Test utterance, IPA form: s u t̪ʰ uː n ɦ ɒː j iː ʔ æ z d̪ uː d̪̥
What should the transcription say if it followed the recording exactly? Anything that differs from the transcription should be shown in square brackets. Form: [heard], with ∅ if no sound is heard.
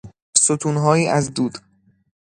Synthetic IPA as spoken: s [o] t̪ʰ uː n ɦ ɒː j iː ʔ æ z d̪ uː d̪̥